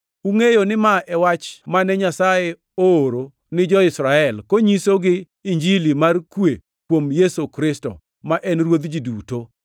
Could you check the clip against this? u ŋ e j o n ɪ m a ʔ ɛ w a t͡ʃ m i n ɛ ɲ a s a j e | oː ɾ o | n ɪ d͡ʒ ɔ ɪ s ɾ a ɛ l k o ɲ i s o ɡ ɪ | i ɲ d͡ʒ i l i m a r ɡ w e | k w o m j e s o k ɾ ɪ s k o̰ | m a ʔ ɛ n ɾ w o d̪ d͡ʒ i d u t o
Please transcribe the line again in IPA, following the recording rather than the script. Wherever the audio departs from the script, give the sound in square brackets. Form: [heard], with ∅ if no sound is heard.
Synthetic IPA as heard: u ŋ e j o n ɪ m a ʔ ɛ w a t͡ʃ m [a] n ɛ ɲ a s a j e | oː ɾ o | n ɪ d͡ʒ ɔ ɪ s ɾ a ɛ l k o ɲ i s o ɡ ɪ | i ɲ d͡ʒ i l i m a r [k] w e | k w o m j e s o k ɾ ɪ s [t] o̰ | m a ʔ ɛ n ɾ w o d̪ d͡ʒ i d u t o